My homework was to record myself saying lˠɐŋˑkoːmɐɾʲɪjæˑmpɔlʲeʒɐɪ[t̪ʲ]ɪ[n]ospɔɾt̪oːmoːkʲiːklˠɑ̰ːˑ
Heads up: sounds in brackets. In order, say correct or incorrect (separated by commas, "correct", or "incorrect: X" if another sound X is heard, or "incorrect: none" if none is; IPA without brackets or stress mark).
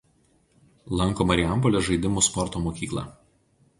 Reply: incorrect: d̪ʲ, incorrect: m